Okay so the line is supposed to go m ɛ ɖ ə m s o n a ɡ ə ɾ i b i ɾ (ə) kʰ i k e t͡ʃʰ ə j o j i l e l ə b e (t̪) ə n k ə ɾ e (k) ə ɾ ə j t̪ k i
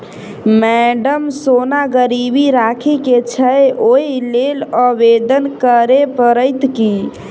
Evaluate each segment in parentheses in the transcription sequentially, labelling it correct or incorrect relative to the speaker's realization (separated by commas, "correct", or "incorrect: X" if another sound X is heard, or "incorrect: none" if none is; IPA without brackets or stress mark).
incorrect: a, incorrect: d̪, incorrect: p